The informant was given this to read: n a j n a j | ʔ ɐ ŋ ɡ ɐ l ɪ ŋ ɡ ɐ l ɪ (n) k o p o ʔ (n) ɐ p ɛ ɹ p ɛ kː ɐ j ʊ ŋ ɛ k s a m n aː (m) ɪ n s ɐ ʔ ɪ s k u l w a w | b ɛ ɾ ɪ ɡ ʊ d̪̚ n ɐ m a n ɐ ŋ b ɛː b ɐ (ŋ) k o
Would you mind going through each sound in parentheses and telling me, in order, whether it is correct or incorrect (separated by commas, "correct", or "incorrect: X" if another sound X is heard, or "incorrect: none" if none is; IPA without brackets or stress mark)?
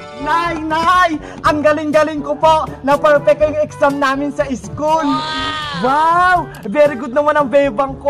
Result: incorrect: ŋ, correct, correct, correct